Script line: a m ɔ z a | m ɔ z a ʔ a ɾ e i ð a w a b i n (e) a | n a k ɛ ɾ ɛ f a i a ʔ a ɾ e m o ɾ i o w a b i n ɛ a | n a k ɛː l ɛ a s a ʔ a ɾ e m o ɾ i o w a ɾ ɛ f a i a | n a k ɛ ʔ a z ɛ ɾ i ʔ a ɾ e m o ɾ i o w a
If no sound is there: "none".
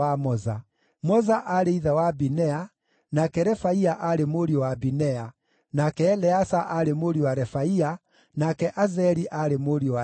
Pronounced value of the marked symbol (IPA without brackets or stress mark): ɛ